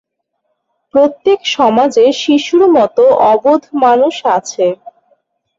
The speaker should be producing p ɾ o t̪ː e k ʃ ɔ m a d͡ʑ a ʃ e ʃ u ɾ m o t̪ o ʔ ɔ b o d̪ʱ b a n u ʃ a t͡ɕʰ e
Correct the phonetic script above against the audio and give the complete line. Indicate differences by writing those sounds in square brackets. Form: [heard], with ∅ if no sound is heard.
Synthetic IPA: p ɾ o t̪ː e k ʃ ɔ m a d͡ʑ [e] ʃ [i] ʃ u ɾ m [ɔ] t̪ o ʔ ɔ b o d̪ʱ [m] a n u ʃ a t͡ɕʰ e